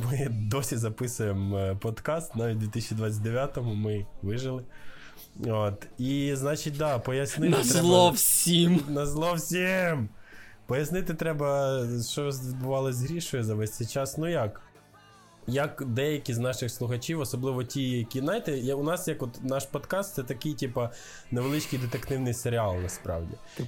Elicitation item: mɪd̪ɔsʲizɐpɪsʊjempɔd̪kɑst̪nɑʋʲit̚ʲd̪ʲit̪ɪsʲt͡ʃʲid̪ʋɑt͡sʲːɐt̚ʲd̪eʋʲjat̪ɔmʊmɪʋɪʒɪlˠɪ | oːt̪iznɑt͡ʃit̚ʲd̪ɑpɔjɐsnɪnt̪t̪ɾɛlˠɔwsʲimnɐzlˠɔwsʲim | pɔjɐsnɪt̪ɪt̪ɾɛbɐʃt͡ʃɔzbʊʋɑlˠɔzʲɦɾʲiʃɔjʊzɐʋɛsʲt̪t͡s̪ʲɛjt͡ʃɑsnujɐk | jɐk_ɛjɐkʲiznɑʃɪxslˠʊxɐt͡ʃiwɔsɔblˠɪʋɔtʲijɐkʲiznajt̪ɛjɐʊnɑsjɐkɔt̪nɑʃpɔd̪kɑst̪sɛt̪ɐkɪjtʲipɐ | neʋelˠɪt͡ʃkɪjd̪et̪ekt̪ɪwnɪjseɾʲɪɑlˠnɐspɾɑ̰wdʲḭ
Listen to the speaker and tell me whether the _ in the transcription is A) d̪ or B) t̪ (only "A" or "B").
A